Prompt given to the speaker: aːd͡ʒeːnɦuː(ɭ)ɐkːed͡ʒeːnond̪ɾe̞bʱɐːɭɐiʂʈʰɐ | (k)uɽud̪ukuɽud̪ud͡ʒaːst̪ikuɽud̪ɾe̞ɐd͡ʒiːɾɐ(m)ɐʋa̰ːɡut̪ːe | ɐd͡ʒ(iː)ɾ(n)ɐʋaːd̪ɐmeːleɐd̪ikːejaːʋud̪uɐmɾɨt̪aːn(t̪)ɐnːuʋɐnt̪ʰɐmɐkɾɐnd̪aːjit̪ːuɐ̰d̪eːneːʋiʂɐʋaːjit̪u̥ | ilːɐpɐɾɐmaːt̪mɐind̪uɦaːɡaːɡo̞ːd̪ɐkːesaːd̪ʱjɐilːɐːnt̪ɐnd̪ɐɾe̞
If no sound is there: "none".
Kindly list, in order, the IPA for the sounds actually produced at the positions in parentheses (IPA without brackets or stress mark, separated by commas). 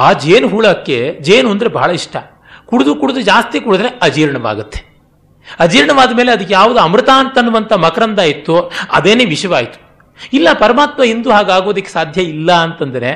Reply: ɭ, k, ɳ, iː, ɳ, t̪